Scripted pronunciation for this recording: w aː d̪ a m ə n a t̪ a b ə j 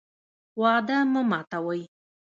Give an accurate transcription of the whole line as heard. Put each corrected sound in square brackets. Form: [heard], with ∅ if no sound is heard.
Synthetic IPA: w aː d̪ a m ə [m] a t̪ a [w] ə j

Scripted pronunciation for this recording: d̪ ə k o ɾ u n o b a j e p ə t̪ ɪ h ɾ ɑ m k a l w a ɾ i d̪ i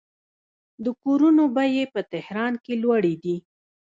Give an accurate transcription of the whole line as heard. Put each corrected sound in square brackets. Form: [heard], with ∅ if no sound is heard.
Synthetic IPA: d̪ ə k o ɾ u n o b a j e p ə t̪ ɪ h ɾ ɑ [n] k [e] l w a [ɽ] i d̪ i

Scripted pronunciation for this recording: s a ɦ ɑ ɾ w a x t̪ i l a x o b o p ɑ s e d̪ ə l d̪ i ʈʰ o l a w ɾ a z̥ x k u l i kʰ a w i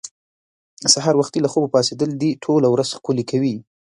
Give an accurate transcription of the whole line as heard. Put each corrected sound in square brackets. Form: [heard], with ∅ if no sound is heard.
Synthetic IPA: s a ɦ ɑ ɾ w a x t̪ i l a x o b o p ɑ s e d̪ ə l d̪ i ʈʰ o l a w ɾ a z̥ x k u l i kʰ a w i

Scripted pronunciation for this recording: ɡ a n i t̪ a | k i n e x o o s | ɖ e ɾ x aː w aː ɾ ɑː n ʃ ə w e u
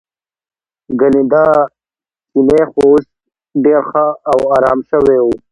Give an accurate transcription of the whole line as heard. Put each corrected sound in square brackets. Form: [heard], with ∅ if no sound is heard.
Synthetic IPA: ɡ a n i [d̪] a | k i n e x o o s | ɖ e ɾ x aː w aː ɾ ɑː [m] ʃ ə w e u

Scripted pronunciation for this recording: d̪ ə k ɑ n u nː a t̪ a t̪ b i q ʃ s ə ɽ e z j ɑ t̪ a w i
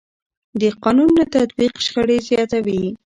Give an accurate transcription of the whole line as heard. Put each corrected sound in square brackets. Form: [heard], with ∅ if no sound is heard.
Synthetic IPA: d̪ ə [q] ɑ n u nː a t̪ a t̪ b i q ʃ [x] ə ɽ e z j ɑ t̪ a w i

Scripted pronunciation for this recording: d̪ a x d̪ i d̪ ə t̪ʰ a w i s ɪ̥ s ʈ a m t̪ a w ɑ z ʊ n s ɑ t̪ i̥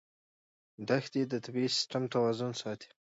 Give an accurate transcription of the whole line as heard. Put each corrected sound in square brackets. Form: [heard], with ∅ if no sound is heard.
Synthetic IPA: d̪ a x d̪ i d̪ ə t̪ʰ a [b] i s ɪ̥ s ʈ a m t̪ a w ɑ z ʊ n s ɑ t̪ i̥

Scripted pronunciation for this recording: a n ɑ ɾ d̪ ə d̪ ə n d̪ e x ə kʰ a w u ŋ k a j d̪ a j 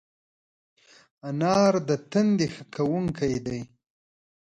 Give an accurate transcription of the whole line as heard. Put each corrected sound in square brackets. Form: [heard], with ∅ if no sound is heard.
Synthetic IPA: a n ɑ ɾ d̪ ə [t̪] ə n d̪ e x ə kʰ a w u ŋ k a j d̪ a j

